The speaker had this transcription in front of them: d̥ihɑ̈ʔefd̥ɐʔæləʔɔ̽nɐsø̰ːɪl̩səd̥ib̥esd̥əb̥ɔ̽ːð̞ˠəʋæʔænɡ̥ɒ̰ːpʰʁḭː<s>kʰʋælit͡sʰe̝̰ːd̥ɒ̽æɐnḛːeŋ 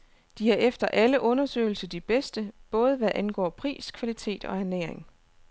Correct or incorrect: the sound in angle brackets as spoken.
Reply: correct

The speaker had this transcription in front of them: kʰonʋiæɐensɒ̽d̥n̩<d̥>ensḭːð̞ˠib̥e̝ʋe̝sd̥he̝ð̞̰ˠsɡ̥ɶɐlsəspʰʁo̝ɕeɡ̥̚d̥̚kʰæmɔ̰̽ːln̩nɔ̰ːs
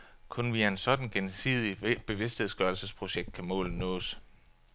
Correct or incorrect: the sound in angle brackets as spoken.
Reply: incorrect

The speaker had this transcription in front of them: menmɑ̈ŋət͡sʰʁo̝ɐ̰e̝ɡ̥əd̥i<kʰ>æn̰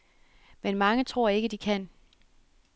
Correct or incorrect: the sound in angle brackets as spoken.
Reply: correct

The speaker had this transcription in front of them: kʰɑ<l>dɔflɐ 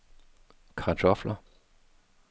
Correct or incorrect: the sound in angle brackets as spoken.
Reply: incorrect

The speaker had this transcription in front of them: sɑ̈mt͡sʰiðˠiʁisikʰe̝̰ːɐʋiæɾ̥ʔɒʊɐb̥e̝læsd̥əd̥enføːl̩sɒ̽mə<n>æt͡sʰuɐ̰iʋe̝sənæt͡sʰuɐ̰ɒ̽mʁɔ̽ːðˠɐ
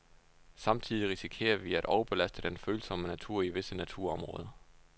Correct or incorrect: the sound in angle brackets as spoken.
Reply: correct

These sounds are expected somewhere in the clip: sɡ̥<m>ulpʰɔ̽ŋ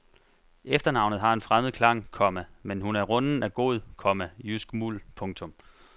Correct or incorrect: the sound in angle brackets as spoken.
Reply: correct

